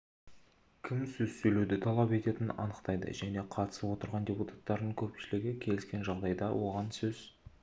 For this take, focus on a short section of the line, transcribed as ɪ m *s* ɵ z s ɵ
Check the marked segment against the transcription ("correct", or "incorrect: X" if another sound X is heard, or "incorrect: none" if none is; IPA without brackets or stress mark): correct